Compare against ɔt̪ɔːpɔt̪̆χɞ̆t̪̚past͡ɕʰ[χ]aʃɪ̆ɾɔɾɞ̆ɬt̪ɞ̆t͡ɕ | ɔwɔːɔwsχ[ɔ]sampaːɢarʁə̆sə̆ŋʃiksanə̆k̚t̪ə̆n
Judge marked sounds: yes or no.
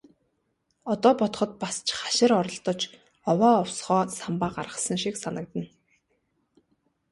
yes, no

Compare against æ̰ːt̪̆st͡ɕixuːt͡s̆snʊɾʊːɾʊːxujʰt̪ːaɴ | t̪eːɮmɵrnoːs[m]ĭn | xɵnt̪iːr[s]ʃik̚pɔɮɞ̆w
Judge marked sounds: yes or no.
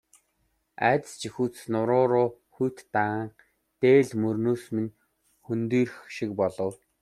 yes, no

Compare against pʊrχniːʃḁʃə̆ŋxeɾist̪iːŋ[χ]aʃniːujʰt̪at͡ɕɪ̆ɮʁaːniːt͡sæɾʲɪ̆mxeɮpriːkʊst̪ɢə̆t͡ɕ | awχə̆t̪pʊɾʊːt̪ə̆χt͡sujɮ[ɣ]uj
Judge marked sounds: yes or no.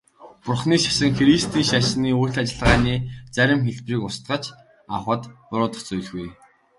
no, yes

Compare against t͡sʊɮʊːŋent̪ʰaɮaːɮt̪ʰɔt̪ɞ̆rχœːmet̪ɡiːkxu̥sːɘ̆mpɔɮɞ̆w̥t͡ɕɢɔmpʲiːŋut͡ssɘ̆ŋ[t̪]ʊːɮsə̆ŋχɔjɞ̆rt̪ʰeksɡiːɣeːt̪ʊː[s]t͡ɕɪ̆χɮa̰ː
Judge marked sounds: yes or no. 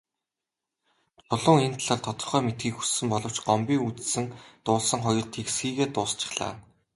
yes, yes

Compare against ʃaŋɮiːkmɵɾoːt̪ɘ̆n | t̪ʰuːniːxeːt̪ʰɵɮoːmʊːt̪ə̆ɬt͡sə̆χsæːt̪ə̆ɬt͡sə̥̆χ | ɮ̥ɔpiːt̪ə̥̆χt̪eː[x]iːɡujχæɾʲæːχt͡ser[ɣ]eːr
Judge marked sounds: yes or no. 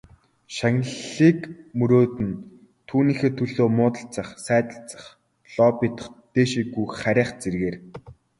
no, yes

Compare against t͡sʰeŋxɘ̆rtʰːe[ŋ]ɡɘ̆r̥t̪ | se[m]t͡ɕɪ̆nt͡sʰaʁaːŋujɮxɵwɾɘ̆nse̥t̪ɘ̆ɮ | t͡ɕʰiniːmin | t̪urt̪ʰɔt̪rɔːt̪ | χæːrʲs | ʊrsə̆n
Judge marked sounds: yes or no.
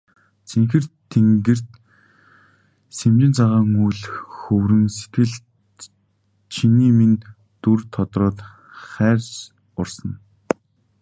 yes, yes

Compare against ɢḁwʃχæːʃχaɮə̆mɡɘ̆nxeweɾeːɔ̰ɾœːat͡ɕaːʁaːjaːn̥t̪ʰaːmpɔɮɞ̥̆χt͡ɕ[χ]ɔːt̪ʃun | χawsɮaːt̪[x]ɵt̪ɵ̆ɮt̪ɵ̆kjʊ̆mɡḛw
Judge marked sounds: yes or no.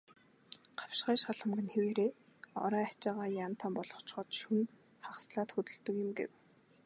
yes, yes

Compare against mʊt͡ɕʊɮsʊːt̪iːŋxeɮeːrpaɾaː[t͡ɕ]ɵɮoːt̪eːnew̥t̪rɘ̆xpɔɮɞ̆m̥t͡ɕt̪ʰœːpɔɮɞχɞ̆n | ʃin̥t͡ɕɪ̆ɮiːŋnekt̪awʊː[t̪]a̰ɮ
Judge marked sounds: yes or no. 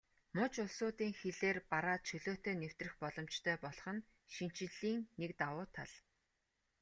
no, no

